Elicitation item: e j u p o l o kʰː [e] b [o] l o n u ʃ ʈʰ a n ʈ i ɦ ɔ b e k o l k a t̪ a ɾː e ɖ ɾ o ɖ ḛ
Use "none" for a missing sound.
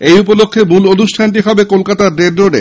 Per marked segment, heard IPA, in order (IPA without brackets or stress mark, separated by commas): e, u